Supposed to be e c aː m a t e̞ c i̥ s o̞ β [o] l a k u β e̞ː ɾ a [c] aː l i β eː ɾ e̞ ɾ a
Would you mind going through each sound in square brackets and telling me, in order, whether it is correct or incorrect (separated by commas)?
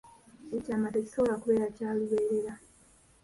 correct, correct